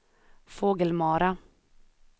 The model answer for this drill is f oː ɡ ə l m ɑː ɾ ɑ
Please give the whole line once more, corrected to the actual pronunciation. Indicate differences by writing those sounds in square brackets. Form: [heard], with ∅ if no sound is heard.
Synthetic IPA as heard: f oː ɡ ə l m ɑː ɾ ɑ